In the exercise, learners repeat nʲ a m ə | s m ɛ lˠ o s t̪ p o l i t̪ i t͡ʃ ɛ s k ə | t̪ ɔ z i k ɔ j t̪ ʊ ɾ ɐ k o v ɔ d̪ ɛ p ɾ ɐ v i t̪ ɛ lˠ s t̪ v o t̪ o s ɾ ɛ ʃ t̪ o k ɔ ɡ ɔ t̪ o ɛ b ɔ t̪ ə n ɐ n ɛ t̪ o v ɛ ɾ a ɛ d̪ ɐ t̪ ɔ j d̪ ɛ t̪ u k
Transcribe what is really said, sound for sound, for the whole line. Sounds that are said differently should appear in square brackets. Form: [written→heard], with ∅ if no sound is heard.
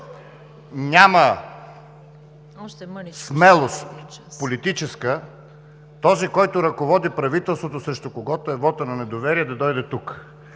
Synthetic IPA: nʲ a m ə | s m ɛ lˠ o s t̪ p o l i t̪ i t͡ʃ ɛ s k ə | t̪ ɔ z i k ɔ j t̪ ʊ ɾ ɐ k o v ɔ d̪ [ɛ→i] p ɾ ɐ v i t̪ ɛ lˠ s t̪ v o t̪ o s ɾ ɛ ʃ t̪ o k [ɔ→o] ɡ ɔ t̪ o ɛ [b→v] ɔ t̪ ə n ɐ n ɛ [t̪→d̪] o v ɛ ɾ [a→i] ɛ d̪ ɐ [t̪→d̪] ɔ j d̪ ɛ t̪ u k

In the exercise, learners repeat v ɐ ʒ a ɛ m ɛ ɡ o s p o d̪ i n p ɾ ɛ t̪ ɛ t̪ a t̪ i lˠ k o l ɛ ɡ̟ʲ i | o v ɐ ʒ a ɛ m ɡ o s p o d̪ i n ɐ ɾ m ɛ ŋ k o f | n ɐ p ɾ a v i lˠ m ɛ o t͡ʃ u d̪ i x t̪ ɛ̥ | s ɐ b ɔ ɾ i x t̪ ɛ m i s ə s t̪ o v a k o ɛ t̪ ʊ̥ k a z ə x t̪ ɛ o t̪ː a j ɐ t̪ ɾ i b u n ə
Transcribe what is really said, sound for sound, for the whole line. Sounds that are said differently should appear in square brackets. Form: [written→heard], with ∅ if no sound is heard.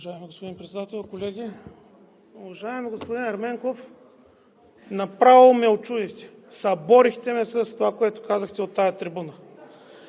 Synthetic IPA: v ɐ ʒ a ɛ m [ɛ→i] ɡ o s p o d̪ i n p ɾ ɛ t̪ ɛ [t̪→d̪] a t̪ [i→ɛ] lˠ k o l ɛ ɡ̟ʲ i | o v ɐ ʒ a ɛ m ɡ o s p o d̪ i n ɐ ɾ m ɛ ŋ k o f | n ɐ p ɾ a v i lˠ m ɛ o t͡ʃ u d̪ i x t̪ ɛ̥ | s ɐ b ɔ ɾ i x t̪ ɛ m [i→ɛ] s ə s t̪ o v a k o ɛ t̪ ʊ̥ k a z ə x t̪ ɛ o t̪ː a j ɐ t̪ ɾ i b u n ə

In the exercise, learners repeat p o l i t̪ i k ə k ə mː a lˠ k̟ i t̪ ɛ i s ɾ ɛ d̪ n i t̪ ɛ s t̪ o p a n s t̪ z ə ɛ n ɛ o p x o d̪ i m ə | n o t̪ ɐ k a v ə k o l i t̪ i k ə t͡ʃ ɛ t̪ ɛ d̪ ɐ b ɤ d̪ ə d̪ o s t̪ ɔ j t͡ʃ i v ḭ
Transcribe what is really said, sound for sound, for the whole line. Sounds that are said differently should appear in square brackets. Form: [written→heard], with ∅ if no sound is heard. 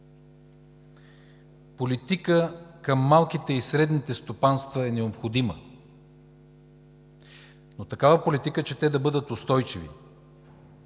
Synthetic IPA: p o l i t̪ i k ə k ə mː a lˠ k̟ i t̪ ɛ i s ɾ ɛ d̪ n i t̪ ɛ s t̪ o p a n s t̪ [z→v] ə ɛ n ɛ o p x o d̪ i m ə | n o t̪ ɐ k a v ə [k→p] o l i t̪ i k ə t͡ʃ ɛ t̪ ɛ d̪ ɐ b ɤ d̪ ə [d̪→t̪] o s t̪ ɔ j t͡ʃ i v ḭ

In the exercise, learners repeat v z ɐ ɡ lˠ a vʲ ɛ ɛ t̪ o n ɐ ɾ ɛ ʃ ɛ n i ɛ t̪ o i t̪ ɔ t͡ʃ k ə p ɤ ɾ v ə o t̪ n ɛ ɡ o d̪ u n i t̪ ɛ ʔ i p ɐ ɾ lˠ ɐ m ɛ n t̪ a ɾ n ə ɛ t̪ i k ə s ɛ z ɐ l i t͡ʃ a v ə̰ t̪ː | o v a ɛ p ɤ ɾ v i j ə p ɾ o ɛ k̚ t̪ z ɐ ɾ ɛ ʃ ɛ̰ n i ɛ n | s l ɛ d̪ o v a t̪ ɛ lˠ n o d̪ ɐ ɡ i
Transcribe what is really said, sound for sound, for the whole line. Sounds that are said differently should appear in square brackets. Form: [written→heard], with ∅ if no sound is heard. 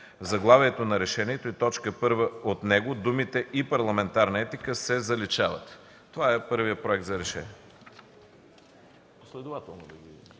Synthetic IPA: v z ɐ ɡ lˠ a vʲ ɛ ɛ t̪ o n ɐ ɾ ɛ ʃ ɛ n i ɛ t̪ o i t̪ ɔ t͡ʃ k ə p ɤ ɾ v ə o t̪ n ɛ ɡ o d̪ u [n→m] i t̪ ɛ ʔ i p ɐ ɾ lˠ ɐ m ɛ n t̪ a ɾ n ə ɛ t̪ i k ə s ɛ z ɐ l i t͡ʃ a v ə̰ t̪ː | o v a ɛ p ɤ ɾ v i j ə p ɾ o ɛ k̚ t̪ z ɐ ɾ ɛ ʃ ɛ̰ n i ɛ [n→∅] | s l ɛ d̪ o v a t̪ ɛ lˠ n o d̪ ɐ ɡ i

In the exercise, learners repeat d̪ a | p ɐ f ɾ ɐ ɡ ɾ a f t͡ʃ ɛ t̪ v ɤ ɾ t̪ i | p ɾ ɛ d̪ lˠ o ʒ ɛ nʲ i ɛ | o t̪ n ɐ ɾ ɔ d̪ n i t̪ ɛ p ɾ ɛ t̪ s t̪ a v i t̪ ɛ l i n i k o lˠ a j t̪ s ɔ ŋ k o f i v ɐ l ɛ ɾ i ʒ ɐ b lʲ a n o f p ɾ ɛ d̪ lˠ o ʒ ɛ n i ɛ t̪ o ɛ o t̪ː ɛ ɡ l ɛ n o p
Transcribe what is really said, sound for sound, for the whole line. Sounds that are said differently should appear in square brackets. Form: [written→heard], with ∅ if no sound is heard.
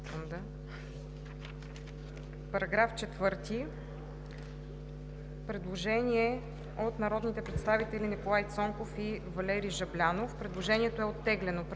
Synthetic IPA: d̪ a | p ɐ [f→∅] ɾ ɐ ɡ ɾ a f t͡ʃ ɛ t̪ v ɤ ɾ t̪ i | p ɾ ɛ d̪ lˠ o ʒ ɛ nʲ i ɛ | o t̪ n ɐ ɾ ɔ d̪ n i t̪ ɛ p ɾ ɛ t̪ s t̪ a v i t̪ ɛ l i n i k o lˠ a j t̪ s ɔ ŋ k o f i v ɐ l ɛ ɾ i ʒ ɐ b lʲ a n o f p ɾ ɛ d̪ lˠ o ʒ ɛ n i ɛ t̪ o ɛ o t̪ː ɛ ɡ l ɛ n o p

